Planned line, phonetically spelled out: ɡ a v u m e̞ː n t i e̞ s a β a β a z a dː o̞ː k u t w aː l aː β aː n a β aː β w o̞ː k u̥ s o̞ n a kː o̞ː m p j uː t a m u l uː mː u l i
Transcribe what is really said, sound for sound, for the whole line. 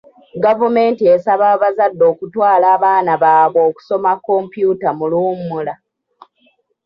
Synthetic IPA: ɡ a v u m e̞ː n t i e̞ s a β a β a z a dː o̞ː k u t w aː l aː β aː n a β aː β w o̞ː k u̥ s o̞ m a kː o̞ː m p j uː t a m u l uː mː u l a